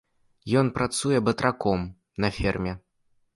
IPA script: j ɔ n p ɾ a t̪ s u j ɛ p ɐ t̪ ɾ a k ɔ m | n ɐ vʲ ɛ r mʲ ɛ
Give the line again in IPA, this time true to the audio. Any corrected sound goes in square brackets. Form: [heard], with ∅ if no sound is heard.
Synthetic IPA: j ɔ n p ɾ a t̪ s u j ɛ [b] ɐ t̪ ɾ a k ɔ m | n ɐ [fʲ] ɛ r mʲ ɛ

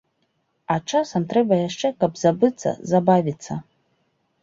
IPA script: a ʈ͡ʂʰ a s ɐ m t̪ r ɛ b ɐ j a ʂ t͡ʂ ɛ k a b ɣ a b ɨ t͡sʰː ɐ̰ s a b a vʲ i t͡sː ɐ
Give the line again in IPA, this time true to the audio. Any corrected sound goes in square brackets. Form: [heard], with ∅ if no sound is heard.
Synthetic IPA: a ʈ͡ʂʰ a s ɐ m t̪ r ɛ b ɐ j a ʂ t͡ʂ ɛ k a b [z] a b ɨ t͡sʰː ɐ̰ [z] a b a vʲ i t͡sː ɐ

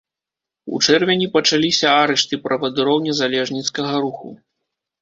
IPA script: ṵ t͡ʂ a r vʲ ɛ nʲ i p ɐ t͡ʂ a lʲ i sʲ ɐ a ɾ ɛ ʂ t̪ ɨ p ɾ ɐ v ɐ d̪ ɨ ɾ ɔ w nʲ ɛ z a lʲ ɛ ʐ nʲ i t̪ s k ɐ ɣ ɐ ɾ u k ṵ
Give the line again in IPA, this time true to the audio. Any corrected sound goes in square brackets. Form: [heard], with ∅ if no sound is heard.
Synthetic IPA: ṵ t͡ʂ [ɛ] r vʲ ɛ nʲ i p ɐ t͡ʂ a lʲ i sʲ ɐ a ɾ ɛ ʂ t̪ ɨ p ɾ ɐ v ɐ d̪ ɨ ɾ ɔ w nʲ ɛ z a lʲ ɛ ʐ nʲ i t̪ s k ɐ ɣ ɐ ɾ u [x] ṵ

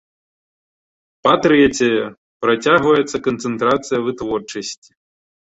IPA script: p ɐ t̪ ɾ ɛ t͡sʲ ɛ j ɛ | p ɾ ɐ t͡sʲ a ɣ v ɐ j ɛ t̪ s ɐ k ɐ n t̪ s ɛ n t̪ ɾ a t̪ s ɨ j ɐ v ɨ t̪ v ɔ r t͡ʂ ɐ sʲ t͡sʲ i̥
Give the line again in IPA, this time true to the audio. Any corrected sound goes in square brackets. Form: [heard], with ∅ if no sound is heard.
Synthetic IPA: p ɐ t̪ ɾ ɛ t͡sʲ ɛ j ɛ | p ɾ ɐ t͡sʲ a ɣ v ɐ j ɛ t̪ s ɐ k ɐ n t̪ s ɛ n t̪ ɾ a t̪ s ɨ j ɐ v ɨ t̪ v ɔ r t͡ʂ ɐ sʲ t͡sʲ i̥

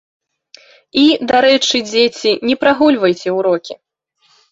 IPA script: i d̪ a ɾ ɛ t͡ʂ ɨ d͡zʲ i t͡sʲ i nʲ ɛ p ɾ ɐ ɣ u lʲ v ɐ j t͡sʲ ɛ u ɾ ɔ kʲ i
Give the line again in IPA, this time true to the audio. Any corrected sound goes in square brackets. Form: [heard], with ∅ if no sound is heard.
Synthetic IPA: i d̪ a ɾ ɛ t͡ʂ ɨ d͡zʲ [e] t͡sʲ i nʲ ɛ p ɾ [a] ɣ u lʲ v ɐ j t͡sʲ ɛ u ɾ ɔ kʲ i

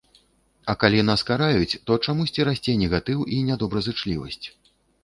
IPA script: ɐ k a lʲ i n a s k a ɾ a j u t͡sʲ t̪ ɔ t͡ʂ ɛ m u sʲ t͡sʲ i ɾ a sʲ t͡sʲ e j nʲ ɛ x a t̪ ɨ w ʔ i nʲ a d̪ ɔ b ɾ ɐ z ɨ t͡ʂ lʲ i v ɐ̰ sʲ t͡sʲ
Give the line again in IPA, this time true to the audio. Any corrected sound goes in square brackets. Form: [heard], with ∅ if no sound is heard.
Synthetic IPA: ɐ k a lʲ i n a s k a ɾ a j u t͡sʲ t̪ ɔ t͡ʂ [a] m u sʲ t͡sʲ i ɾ a sʲ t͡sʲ e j nʲ ɛ [ɣ] a t̪ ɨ w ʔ i nʲ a d̪ ɔ b ɾ ɐ z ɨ t͡ʂ lʲ i v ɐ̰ sʲ t͡sʲ

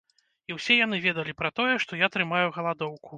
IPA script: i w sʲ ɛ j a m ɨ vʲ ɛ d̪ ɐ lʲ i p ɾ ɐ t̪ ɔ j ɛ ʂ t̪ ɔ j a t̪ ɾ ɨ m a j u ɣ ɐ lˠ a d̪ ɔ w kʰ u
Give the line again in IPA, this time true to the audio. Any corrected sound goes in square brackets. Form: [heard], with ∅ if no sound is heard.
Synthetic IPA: i w sʲ ɛ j a [n] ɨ vʲ ɛ d̪ ɐ lʲ i p ɾ ɐ t̪ ɔ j ɛ ʂ t̪ ɔ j a t̪ ɾ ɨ m a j u ɣ ɐ lˠ a d̪ ɔ w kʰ u

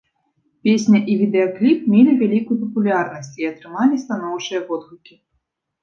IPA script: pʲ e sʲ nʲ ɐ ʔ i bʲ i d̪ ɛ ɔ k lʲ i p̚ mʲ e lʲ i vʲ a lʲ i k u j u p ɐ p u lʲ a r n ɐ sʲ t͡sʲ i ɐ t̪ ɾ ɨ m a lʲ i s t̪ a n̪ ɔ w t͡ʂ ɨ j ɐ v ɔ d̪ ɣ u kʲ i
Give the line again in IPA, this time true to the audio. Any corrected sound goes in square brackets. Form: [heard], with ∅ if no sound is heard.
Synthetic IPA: pʲ e sʲ nʲ ɐ ʔ i [vʲ] i d̪ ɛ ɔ k lʲ i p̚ mʲ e lʲ i vʲ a lʲ i k u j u p ɐ p u lʲ a r n ɐ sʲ t͡sʲ i ɐ t̪ ɾ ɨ m a lʲ i s t̪ a n̪ ɔ w t͡ʂ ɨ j ɐ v ɔ d̪ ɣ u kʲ i

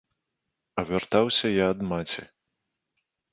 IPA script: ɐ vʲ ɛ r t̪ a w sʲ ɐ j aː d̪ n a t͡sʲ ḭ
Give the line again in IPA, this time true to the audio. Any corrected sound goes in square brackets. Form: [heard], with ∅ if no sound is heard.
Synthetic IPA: ɐ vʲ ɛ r t̪ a w sʲ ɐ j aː d̪ [m] a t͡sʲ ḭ

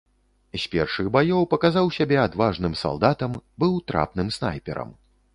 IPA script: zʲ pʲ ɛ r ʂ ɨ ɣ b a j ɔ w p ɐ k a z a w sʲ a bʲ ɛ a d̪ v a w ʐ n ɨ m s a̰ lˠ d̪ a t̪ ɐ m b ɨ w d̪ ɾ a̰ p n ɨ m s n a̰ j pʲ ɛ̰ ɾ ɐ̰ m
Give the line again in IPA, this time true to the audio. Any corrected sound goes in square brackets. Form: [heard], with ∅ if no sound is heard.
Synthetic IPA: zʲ pʲ ɛ r ʂ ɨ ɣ b a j ɔ w p ɐ k a z a w sʲ a bʲ ɛ a d̪ v a [∅] ʐ n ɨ m s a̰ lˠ d̪ a t̪ ɐ m b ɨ w [t̪] ɾ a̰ p n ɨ m s n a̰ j pʲ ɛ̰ ɾ ɐ̰ m

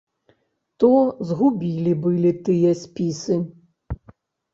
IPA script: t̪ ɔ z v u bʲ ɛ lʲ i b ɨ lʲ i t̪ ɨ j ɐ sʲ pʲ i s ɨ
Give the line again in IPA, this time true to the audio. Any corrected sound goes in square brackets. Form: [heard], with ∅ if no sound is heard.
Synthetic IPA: t̪ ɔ z [ɣ] u bʲ [i] lʲ i b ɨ lʲ i t̪ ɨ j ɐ sʲ pʲ i s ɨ

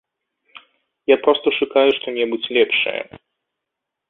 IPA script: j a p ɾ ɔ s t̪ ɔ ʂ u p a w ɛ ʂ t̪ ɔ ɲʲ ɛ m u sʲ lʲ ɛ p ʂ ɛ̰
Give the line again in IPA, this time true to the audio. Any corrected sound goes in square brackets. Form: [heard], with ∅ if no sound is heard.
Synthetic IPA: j a p ɾ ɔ s t̪ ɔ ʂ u [k] a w ɛ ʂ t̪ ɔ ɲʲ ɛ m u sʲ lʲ ɛ p ʂ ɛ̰

